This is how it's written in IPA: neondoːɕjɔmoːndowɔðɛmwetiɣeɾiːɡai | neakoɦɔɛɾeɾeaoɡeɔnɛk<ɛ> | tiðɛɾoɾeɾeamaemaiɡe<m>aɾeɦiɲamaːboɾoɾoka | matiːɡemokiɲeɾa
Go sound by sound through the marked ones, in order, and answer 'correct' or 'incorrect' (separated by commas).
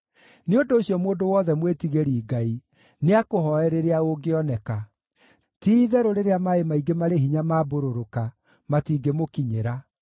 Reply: incorrect, correct